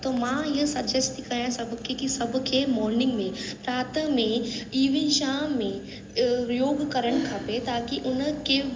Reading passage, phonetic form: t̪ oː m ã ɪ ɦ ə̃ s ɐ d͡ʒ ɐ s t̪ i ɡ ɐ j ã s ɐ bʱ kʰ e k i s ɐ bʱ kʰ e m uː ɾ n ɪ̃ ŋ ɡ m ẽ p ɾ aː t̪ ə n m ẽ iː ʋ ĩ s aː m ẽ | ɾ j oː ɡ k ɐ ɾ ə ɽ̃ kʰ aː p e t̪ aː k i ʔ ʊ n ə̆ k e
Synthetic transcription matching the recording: t̪ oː m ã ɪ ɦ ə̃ s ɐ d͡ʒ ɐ s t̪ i k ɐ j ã s ɐ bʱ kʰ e k i s ɐ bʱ kʰ e m ɔː ɾ n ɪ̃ ŋ ɡ m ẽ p ɾ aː t̪ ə m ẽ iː ʋ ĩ ʃ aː m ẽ | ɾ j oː ɡ k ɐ ɾ ə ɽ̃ kʰ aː p e t̪ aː k i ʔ ʊ n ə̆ k e